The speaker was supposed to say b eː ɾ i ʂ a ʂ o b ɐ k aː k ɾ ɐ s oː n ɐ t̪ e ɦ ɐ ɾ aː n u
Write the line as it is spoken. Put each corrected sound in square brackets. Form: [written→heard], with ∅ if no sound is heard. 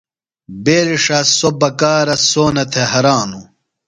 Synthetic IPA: b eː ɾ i ʂ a [ʂ→s] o b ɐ k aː [k→∅] ɾ ɐ s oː n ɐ [t̪→t̪ʰ] e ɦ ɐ ɾ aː n u